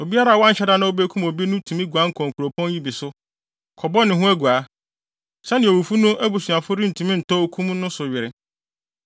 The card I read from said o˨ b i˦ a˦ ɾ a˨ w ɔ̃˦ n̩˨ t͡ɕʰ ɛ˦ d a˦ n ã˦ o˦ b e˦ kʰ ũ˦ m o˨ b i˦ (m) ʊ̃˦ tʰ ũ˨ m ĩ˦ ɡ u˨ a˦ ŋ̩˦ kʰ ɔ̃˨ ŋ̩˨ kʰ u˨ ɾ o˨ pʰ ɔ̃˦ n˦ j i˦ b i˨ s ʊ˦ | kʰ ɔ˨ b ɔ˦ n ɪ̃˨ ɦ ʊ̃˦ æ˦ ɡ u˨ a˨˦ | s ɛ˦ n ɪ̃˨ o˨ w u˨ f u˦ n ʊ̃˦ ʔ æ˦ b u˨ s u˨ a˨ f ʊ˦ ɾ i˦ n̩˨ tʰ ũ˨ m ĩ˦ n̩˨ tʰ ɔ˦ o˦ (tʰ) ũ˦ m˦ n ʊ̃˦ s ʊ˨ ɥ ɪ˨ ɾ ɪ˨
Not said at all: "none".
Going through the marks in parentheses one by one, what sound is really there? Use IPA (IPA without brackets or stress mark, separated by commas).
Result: n, kʰ